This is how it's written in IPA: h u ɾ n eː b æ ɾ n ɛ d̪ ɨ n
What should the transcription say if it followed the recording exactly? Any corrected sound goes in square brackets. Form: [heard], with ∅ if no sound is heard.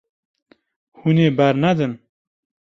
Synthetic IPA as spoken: h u [∅] n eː b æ ɾ n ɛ d̪ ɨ n